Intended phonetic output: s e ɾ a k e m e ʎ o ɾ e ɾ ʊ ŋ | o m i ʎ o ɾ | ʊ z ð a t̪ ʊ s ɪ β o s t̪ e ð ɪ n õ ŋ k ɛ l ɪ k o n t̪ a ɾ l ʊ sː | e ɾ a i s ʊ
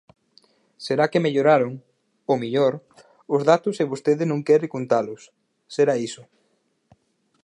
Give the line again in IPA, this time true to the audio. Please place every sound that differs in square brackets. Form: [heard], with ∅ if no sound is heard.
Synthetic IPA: s e ɾ a k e m e ʎ o ɾ [a] ɾ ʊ ŋ | o m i ʎ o ɾ | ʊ z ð a t̪ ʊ s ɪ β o s t̪ e ð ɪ n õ ŋ k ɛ [ɾ] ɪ k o n t̪ a [∅] l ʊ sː | e ɾ a i s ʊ